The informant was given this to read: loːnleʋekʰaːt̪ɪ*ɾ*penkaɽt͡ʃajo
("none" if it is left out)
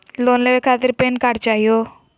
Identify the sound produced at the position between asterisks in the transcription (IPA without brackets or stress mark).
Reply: ɾ